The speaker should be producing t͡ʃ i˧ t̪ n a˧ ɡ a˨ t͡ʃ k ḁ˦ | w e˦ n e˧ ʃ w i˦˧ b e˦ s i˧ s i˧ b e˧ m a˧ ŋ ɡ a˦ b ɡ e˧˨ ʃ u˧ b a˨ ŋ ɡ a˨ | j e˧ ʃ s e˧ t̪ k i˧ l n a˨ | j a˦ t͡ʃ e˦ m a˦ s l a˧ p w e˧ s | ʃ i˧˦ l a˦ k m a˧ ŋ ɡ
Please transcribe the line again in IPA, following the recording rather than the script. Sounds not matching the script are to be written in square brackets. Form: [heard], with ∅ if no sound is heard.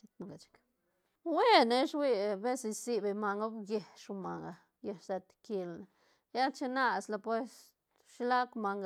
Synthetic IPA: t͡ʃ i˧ t̪ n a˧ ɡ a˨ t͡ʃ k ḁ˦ | w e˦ n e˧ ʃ w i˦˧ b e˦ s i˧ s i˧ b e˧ m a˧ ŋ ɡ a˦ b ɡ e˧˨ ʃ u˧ [m] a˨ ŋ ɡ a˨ | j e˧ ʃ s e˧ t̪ k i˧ l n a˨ | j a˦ t͡ʃ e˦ [n] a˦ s l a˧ p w e˧ s | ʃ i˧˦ l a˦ k m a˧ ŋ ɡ